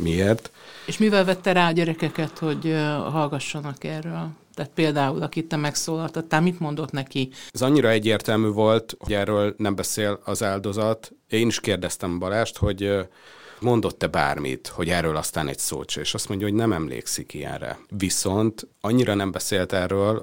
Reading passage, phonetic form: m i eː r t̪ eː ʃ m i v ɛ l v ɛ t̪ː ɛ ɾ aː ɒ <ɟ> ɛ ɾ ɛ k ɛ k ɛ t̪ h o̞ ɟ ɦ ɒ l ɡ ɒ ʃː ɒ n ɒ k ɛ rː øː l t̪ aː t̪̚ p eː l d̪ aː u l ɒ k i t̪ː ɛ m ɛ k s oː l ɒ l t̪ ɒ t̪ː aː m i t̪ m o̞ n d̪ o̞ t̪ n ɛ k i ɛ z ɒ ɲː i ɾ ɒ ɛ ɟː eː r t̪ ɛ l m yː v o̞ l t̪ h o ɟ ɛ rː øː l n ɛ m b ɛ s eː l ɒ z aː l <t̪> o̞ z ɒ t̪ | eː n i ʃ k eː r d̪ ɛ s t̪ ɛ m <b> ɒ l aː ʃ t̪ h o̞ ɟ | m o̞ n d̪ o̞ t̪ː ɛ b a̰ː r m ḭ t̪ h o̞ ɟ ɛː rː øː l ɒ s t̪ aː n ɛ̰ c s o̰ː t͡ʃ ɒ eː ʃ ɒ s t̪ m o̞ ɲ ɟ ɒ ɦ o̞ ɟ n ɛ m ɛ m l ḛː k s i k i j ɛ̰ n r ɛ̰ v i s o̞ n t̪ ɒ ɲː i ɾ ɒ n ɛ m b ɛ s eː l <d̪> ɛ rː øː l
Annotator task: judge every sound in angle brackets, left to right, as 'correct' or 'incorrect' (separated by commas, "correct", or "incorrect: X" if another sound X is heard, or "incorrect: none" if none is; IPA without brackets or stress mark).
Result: correct, incorrect: d̪, correct, incorrect: t̪